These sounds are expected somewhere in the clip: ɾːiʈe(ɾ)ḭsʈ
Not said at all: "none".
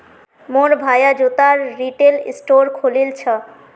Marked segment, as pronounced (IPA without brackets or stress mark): l